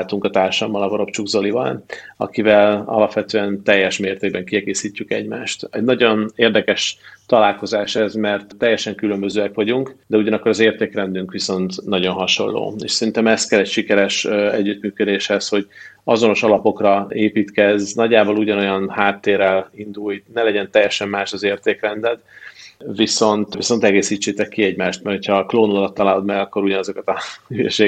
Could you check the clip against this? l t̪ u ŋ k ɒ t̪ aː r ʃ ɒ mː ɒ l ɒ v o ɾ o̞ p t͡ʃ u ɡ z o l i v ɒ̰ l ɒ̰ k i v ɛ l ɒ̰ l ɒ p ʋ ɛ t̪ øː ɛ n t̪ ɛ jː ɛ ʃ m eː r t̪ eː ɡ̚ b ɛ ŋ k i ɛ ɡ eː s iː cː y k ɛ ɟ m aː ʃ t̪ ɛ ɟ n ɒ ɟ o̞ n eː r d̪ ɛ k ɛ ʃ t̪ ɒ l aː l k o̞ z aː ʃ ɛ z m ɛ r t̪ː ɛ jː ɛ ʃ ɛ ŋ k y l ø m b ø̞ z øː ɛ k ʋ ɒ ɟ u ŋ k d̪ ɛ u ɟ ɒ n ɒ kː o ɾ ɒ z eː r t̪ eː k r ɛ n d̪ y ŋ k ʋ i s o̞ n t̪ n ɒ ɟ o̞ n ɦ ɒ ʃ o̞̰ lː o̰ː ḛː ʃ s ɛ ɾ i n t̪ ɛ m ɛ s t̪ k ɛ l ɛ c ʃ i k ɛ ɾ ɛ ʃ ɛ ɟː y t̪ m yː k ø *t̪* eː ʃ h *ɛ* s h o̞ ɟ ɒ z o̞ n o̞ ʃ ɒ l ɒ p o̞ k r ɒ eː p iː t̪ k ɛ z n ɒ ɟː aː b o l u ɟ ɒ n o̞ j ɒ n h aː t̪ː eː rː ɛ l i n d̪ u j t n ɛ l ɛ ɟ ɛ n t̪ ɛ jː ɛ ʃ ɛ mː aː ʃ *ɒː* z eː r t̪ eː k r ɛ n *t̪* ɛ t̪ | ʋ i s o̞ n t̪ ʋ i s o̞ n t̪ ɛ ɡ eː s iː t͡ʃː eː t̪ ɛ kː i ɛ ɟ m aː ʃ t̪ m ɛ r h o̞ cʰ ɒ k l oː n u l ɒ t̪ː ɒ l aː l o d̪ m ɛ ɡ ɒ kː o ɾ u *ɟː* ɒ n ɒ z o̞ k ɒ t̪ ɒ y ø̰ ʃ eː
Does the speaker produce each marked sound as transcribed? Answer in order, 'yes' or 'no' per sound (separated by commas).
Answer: no, yes, no, no, no